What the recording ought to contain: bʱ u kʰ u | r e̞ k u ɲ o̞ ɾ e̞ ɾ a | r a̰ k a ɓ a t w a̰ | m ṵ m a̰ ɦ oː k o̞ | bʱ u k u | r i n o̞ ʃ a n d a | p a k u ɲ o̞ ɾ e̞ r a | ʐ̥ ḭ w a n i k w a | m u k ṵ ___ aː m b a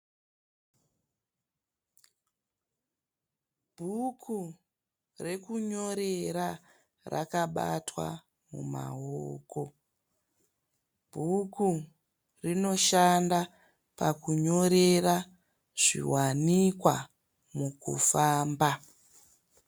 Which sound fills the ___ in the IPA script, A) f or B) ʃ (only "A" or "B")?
A